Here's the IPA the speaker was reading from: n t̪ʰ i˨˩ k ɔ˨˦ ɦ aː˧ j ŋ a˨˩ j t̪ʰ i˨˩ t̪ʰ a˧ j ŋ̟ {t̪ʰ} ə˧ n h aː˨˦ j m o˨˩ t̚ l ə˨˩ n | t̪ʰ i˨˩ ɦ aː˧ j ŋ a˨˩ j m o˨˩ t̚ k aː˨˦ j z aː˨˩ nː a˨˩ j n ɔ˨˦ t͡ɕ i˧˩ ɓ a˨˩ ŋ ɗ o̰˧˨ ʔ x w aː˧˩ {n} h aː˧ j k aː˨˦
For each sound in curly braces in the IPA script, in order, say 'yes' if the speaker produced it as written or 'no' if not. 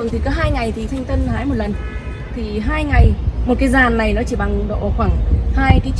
no, no

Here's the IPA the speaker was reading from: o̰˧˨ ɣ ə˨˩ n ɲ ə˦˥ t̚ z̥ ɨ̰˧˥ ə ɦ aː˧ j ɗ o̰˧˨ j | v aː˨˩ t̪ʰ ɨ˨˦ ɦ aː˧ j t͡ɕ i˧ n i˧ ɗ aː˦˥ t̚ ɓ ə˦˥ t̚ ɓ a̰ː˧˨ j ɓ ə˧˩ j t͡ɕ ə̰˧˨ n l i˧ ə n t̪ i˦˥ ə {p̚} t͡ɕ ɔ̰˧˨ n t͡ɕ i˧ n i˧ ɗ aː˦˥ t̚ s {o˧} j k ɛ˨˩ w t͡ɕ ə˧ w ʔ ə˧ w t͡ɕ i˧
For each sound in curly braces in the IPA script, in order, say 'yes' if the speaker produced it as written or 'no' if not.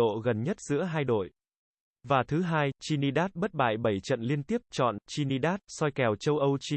yes, no

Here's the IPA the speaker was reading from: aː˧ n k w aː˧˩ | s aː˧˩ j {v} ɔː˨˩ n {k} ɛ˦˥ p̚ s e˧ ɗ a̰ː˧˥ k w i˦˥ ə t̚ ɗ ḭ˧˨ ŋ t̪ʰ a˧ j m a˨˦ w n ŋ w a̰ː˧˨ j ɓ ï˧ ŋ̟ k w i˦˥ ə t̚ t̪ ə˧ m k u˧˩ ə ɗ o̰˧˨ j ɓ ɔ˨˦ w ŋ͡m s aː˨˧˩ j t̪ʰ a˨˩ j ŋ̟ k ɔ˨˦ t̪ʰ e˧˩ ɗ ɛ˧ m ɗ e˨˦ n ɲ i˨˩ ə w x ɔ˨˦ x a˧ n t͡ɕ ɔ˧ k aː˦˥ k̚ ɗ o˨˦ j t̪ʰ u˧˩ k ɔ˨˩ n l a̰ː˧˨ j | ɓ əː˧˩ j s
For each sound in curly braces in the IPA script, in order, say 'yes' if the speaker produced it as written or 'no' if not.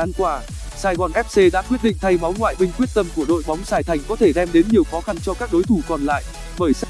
no, no

